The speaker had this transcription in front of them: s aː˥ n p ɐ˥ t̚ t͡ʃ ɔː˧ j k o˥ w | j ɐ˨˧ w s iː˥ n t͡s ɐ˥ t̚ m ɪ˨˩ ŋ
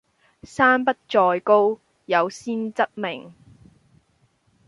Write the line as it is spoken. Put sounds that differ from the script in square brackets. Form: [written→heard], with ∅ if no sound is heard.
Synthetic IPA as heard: s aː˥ n p ɐ˥ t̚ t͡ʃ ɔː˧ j k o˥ w | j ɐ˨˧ w s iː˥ n t͡s ɐ˥ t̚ m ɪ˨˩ ŋ